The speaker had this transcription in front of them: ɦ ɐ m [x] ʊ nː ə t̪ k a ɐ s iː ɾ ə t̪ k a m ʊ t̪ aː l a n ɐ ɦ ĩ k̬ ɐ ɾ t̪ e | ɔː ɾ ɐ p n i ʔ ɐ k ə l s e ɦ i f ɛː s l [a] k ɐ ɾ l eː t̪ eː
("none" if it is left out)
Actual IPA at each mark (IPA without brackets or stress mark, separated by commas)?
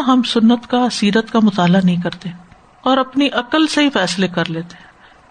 s, e